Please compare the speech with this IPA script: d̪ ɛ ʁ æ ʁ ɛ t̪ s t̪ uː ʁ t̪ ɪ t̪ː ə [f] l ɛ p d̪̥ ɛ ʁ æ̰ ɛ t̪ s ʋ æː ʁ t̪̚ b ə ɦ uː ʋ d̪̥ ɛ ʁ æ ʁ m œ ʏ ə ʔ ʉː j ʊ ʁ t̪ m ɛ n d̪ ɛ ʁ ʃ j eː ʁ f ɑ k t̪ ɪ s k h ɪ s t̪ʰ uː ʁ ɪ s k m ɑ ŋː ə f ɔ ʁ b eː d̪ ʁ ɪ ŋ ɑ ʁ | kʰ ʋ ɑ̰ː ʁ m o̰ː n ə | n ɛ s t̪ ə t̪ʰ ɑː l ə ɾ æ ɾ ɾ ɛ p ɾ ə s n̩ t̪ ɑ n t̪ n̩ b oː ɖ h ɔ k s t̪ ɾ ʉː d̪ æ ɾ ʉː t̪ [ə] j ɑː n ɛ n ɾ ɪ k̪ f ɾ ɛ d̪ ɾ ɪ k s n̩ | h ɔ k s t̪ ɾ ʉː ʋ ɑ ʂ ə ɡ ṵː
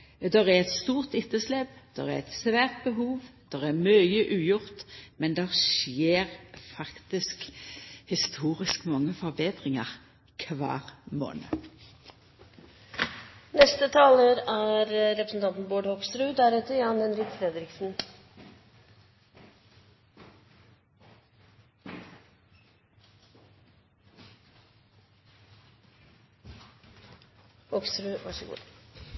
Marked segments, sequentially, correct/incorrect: incorrect: s, correct

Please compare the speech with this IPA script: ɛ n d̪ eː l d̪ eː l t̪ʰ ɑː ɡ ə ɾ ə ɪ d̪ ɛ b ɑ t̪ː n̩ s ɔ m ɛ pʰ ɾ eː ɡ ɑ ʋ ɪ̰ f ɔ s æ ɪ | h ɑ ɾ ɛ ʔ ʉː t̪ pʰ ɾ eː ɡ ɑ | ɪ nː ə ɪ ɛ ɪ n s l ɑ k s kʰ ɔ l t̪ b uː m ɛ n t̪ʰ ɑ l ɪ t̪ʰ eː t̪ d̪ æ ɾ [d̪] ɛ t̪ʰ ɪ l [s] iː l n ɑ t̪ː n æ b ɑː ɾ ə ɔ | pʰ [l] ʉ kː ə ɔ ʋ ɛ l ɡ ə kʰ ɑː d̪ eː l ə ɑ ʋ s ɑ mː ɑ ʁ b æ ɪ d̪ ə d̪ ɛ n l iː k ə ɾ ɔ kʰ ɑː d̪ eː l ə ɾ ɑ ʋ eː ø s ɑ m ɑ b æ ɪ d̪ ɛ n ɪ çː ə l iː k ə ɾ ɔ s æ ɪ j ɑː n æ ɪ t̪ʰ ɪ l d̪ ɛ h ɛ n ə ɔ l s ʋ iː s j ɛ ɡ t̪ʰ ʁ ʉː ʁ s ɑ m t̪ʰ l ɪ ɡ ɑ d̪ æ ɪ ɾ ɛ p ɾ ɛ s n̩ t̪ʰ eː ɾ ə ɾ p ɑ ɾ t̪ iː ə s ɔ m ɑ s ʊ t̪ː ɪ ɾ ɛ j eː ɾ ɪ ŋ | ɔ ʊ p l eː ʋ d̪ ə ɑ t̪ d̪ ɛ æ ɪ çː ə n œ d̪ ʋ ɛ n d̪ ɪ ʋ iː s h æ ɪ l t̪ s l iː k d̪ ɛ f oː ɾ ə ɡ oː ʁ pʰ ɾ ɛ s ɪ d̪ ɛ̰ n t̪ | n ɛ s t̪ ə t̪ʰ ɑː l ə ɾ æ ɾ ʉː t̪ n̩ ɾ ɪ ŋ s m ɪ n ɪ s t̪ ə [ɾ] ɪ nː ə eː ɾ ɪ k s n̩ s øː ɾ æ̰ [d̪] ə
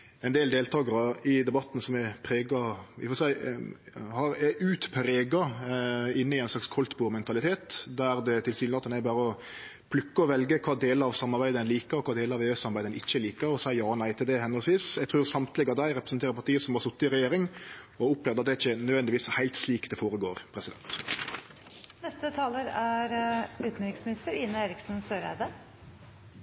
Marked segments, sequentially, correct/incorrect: correct, correct, correct, correct, correct

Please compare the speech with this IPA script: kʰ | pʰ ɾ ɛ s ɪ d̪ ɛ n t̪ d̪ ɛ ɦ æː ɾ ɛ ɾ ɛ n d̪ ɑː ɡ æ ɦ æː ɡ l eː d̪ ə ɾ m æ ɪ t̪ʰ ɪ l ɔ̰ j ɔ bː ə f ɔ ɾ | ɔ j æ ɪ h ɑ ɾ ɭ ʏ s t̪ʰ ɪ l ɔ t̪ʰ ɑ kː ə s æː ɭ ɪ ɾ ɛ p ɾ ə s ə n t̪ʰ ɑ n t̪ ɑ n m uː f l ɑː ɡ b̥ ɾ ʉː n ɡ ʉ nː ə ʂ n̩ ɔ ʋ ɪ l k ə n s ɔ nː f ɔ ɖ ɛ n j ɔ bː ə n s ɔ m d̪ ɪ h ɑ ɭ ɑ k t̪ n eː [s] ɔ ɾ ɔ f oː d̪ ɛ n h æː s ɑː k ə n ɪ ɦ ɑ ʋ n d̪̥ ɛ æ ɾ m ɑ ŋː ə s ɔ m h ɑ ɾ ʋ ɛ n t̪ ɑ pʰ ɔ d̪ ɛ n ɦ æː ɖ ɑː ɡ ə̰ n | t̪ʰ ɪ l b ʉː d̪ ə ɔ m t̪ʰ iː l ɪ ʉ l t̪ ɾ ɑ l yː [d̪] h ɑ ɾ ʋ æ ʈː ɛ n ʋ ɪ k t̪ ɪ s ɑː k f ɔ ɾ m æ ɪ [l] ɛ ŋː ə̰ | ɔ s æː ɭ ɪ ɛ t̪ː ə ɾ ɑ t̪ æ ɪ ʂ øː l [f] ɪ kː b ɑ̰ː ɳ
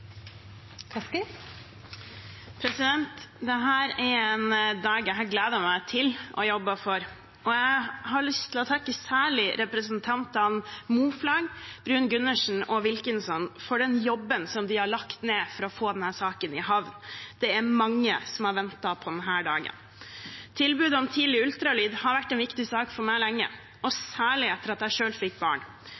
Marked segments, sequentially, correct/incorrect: incorrect: f, correct, correct, correct

